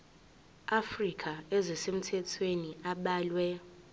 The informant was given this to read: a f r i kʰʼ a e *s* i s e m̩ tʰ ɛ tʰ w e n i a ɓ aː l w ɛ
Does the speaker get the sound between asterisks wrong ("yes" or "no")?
yes